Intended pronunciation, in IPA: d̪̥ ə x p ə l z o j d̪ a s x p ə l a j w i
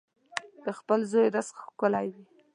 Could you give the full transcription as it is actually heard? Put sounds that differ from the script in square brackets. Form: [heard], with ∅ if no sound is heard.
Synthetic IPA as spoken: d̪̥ ə x p ə l z o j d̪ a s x [k] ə l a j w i